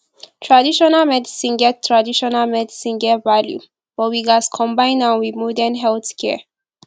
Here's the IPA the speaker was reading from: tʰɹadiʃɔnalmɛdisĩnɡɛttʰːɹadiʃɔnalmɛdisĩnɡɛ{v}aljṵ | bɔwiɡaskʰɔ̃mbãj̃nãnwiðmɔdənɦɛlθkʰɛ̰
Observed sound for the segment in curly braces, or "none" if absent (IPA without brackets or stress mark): v